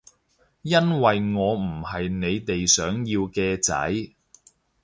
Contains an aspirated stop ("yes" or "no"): no